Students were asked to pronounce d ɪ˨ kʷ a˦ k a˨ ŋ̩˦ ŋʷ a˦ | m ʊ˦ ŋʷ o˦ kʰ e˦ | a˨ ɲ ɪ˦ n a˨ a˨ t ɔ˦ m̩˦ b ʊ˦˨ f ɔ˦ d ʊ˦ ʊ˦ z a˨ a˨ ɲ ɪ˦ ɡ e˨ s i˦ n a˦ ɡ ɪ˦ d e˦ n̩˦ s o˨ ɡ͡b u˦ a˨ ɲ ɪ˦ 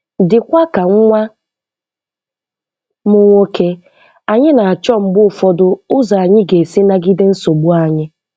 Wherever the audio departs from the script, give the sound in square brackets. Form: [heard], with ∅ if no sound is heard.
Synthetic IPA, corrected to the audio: d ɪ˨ kʷ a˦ k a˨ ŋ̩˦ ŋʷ a˦ | m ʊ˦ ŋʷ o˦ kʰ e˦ | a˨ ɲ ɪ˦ n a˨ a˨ [t͡ʃ] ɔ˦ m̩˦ b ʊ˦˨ f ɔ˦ d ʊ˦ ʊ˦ z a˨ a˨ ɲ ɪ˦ ɡ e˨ s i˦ n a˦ ɡ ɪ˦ d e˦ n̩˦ s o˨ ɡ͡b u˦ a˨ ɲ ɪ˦